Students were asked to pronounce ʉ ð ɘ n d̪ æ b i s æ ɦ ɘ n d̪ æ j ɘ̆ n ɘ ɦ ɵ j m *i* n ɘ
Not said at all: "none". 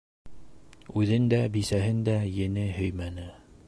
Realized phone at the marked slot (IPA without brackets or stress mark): æ